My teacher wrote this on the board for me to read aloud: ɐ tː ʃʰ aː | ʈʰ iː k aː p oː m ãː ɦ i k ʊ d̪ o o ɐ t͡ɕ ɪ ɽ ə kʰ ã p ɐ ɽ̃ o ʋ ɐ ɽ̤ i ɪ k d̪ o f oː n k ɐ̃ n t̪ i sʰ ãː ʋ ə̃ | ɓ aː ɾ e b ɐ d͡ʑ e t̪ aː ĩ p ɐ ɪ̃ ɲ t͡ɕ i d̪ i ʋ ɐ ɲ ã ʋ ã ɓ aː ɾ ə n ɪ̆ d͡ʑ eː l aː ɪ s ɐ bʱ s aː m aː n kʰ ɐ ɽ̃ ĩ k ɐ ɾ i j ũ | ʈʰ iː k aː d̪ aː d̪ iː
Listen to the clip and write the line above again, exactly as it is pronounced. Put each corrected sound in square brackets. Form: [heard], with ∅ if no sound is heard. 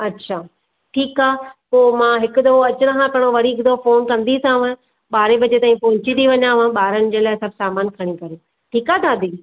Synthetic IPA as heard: ɐ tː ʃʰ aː | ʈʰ iː k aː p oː m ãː ɦ [ɪ] k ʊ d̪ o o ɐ t͡ɕ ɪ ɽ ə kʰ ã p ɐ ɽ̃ o ʋ ɐ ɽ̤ i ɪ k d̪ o f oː n k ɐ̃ n [d̪] i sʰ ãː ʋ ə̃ | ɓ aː ɾ e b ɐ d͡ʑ e t̪ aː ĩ p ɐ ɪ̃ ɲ t͡ɕ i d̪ i ʋ ɐ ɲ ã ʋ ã ɓ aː ɾ ə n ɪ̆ d͡ʑ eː l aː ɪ s ɐ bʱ s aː m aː n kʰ ɐ ɽ̃ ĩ k ɐ ɾ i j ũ | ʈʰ iː k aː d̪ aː d̪ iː